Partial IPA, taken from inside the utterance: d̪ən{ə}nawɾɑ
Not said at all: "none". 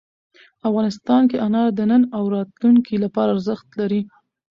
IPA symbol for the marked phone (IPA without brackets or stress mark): ə